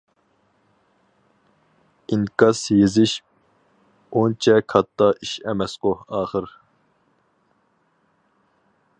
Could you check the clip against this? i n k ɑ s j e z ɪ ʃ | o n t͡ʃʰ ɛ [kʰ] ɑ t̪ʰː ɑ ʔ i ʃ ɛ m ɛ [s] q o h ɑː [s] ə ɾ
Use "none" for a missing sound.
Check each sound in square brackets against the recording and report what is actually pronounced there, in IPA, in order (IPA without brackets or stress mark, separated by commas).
kʰ, s, χ